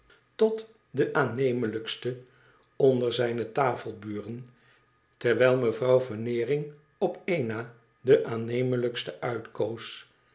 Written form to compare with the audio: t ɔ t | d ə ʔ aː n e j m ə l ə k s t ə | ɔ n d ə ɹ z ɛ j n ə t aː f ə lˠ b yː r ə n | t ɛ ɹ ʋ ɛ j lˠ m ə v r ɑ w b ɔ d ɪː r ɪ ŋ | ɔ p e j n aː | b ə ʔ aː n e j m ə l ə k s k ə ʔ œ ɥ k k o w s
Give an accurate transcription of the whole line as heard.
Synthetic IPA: t ɔ t | d ə ʔ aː n e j m ə l ə k s t ə | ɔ n d ə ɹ z ɛ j n ə t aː f ə lˠ b yː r ə n | t ɛ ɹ ʋ ɛ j lˠ m ə v r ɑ w v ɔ n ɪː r ɪ ŋ | ɔ p e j n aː | d ə ʔ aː n e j m ə l ə k s t ə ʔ œ ɥ t k o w s

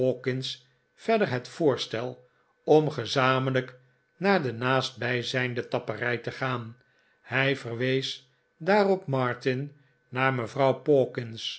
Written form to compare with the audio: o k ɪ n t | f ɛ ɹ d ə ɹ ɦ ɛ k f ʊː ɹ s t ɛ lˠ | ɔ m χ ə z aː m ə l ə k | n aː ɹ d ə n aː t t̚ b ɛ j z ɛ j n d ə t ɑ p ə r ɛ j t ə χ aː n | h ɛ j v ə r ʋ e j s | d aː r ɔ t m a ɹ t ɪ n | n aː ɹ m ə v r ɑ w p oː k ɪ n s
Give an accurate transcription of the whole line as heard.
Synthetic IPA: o k ɪ n s | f ɛ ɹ d ə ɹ ɦ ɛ t f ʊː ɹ s t ɛ lˠ | ɔ m χ ə z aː m ə l ə k | n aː ɹ d ə n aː s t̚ b ɛ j z ɛ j n d ə t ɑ p ə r ɛ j t ə χ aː n | h ɛ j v ə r ʋ e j s | d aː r ɔ p m ɑ ɹ t ɪ n | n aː ɹ m ə v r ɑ w p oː k ɪ n s

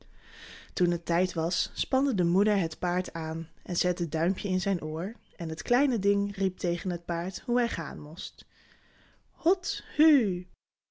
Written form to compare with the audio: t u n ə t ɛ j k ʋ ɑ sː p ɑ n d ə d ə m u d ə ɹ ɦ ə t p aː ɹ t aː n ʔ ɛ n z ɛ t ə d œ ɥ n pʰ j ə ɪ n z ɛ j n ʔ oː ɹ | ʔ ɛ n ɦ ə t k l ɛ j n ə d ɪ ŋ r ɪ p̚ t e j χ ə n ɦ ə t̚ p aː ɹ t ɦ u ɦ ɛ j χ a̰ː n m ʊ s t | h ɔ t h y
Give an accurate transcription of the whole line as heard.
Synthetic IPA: t u n ə t ɛ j t ʋ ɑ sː p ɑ n d ə d ə m u d ə ɹ ɦ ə t p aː ɹ t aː n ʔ ɛ n z ɛ t ə d œ ɥ m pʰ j ə ɪ n z ɛ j n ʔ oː ɹ | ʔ ɛ n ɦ ə t k l ɛ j n ə d ɪ ŋ r i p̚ t e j χ ə n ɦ ə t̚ p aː ɹ t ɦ u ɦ ɛ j χ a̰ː n m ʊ s t | h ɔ t h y

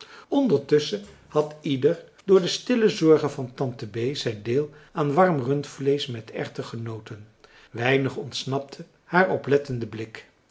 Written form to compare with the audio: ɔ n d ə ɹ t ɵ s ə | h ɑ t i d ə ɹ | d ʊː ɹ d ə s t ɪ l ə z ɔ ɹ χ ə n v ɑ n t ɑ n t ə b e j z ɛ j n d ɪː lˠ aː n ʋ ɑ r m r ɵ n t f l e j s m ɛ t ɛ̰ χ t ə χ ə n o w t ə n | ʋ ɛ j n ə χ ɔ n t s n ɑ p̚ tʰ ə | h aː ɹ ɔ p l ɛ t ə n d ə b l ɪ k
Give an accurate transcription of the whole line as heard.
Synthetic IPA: ɔ n d ə ɹ t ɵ s ə | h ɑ t i d ə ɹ | d ʊː ɹ d ə s t ɪ l ə z ɔ ɹ χ ə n v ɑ n t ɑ n t ə b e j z ɛ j n d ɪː lˠ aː n ʋ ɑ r m r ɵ n t f l e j s m ɛ t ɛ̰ χ t ə χ ə n o w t ə n | ʋ ɛ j n ə χ ɔ n t s n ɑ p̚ tʰ ə | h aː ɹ ɔ p l ɛ t ə n d ə b l ɪ k

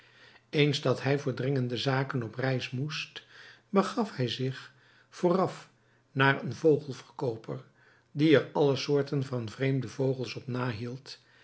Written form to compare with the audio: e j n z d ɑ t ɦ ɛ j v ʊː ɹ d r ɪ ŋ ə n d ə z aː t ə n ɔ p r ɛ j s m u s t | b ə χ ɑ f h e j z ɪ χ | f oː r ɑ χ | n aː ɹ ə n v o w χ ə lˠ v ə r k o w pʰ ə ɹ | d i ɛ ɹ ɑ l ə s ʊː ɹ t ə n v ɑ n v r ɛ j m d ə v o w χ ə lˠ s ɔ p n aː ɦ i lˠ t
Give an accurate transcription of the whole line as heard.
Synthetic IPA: e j n z d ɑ t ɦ ɛ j v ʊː ɹ d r ɪ ŋ ə n d ə z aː k ə n ɔ p r ɛ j s m u s t | b ə χ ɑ f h ɛ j z ɪ χ | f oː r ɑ f | n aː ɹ ə n v o w χ ə lˠ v ə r k o w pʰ ə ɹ | d i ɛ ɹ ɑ l ə s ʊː ɹ t ə n v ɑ n v r e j m d ə v o w χ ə lˠ s ɔ p n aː ɦ i lˠ t

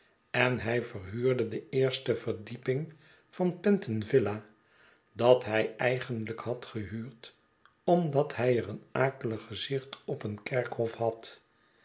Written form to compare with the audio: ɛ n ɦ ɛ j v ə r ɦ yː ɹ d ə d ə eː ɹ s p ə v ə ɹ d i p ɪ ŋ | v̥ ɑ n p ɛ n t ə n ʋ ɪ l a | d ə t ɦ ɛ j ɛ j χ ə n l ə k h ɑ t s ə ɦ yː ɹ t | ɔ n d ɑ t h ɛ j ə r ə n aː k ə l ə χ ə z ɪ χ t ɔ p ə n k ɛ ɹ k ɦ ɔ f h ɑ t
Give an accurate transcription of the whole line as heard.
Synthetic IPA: ɛ n ɦ ɛ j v ə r ɦ yː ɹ d ə d ə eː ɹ s t ə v ə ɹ d i p ɪ ŋ | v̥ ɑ n p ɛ n t ə n v ɪ l a | d ɑ t ɦ ɛ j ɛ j χ ə n l ə k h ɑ t χ ə ɦ yː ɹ t | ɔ m d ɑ t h ɛ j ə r ə n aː k ə l ə χ ə z ɪ χ t ɔ p ə n k ɛ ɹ k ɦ ɔ f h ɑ t

